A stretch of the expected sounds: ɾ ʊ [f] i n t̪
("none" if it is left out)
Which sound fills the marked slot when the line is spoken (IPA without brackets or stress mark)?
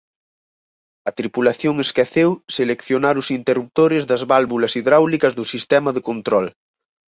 s